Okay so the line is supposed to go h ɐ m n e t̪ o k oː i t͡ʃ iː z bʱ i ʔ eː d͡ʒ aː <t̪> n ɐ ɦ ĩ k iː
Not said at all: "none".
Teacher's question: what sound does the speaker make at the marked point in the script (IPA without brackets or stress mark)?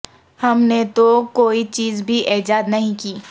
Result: d̪